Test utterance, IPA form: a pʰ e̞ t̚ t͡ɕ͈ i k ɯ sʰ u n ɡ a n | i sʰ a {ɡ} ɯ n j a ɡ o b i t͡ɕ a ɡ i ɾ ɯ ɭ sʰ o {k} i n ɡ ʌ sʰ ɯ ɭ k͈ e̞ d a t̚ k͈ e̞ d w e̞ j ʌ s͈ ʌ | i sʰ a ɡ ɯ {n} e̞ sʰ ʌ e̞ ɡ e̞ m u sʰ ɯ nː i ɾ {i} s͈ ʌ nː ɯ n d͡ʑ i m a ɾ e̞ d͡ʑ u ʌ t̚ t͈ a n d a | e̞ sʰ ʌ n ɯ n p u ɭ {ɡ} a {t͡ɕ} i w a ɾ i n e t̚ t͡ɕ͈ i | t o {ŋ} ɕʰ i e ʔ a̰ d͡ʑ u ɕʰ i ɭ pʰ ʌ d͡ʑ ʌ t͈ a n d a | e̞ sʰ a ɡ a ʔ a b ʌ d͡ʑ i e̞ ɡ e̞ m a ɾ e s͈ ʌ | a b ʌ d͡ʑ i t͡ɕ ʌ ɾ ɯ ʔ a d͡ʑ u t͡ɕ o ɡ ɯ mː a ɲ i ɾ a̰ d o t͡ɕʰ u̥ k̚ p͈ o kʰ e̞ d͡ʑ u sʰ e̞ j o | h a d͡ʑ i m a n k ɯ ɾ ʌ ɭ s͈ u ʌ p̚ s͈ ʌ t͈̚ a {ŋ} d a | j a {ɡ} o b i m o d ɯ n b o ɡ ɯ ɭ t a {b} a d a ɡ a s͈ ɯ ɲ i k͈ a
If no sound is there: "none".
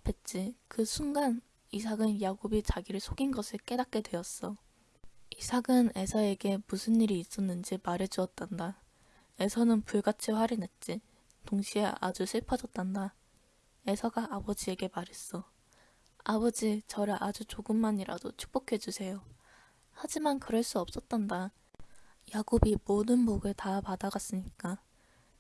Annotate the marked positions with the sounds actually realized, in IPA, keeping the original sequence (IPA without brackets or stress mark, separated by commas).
ɡ, ɡ, n, iː, ɡ, t͡ɕʰ, ŋ, n, ɡ, p